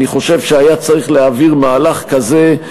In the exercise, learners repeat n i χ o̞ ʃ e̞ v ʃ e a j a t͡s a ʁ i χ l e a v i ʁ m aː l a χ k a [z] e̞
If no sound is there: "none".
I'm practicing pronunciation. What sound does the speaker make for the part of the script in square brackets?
z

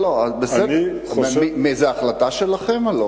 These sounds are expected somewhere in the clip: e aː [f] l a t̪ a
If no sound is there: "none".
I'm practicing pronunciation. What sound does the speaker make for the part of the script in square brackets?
χ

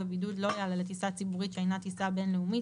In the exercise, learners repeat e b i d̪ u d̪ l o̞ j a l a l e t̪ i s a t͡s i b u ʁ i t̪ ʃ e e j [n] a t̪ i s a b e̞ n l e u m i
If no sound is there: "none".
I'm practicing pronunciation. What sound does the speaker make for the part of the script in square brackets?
n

